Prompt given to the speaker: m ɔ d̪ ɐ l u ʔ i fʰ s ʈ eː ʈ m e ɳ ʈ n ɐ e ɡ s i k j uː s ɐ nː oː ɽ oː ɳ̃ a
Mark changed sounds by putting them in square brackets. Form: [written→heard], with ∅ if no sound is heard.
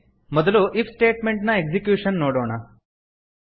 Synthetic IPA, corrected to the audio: m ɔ d̪ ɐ l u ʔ i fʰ s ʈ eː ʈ m e ɳ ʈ n ɐ e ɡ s i k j uː [s→ʂ] ɐ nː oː ɽ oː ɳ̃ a